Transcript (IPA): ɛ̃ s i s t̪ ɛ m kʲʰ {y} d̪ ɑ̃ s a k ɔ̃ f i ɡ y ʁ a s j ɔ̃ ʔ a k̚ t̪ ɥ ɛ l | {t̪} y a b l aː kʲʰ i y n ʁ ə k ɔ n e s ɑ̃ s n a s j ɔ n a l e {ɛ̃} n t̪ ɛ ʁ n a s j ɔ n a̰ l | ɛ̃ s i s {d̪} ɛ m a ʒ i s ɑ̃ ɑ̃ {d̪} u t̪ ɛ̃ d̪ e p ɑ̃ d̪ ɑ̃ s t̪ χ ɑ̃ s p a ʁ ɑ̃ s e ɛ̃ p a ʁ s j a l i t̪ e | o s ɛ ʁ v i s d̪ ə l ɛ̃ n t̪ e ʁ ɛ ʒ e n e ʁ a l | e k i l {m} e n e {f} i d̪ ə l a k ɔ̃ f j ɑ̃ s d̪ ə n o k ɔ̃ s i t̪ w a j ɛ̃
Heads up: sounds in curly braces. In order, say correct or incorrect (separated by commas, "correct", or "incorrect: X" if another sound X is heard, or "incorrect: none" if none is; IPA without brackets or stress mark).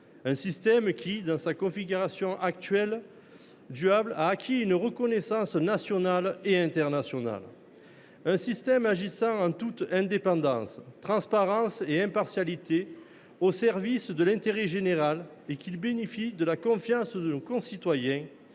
incorrect: i, incorrect: d̪, correct, incorrect: t̪, incorrect: t̪, incorrect: b, correct